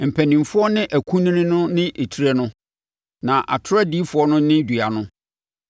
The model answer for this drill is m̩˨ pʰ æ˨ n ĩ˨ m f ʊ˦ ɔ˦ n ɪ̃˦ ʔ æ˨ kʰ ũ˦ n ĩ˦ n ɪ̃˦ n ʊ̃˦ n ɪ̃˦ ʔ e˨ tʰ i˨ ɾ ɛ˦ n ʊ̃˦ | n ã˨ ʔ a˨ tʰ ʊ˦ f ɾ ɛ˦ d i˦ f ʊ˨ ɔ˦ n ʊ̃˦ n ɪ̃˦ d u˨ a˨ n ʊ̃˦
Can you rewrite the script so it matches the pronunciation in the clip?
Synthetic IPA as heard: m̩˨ pʰ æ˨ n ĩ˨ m f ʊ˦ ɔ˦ n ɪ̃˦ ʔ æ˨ kʰ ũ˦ n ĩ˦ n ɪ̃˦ n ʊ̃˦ n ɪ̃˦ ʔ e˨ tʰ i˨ ɾ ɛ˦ n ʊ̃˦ | n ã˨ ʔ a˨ tʰ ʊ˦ ɾ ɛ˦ d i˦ f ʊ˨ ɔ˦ n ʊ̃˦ n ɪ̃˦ d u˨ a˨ n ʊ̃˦